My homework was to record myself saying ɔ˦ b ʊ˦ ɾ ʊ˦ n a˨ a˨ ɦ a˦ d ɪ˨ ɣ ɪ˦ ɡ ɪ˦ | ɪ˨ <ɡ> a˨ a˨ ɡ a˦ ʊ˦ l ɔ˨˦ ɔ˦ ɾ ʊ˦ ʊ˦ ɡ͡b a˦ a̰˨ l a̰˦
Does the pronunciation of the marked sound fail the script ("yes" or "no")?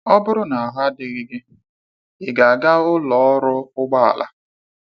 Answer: no